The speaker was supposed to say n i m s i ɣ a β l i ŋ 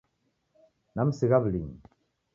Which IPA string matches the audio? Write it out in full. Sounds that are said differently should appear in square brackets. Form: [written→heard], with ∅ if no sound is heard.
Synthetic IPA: n [i→a] m s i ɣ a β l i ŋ